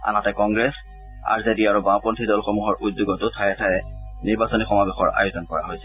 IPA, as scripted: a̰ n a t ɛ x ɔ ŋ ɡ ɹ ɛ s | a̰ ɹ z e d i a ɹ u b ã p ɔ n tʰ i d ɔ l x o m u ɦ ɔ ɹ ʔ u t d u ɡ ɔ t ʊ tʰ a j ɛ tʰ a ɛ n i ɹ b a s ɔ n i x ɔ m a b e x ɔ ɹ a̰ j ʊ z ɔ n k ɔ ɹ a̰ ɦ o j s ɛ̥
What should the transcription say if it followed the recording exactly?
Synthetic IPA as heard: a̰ n a t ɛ k ɔ ŋ ɡ ɹ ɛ s | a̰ ɹ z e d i a ɹ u b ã p ɔ n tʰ i d ɔ l x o m u ɦ ɔ ɹ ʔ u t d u ɡ ɔ t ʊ tʰ a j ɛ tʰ a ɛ n i ɹ b a s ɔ n i x ɔ m a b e x ɔ ɹ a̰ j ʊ z ɔ n k ɔ ɹ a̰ ɦ o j s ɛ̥